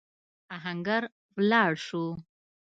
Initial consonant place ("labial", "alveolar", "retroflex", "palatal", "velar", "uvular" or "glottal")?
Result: glottal